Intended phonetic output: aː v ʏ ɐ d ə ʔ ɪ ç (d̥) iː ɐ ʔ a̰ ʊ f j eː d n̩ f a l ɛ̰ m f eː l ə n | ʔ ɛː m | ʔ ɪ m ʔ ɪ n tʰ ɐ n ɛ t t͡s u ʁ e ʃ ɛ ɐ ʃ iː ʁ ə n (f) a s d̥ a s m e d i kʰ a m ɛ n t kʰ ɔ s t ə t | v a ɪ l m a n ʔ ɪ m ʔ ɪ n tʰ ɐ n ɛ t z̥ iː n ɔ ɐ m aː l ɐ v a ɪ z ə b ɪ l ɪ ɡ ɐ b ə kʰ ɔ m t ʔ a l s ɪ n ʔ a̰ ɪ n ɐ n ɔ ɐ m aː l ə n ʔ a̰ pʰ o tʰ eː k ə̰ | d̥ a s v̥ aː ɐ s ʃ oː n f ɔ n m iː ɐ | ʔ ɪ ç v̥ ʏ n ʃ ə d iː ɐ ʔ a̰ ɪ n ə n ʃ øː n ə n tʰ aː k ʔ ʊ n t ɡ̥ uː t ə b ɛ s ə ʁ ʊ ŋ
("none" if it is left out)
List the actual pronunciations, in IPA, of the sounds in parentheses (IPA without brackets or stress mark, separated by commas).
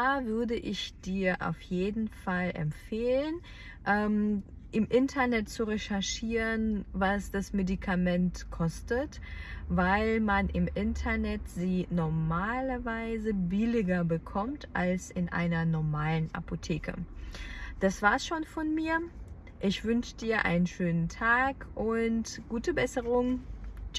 d̥, v